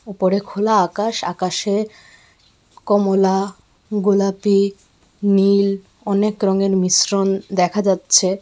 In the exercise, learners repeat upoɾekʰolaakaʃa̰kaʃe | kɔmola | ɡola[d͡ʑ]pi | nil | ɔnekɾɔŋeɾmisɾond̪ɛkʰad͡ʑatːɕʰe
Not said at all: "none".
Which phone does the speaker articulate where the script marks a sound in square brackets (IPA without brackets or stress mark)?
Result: none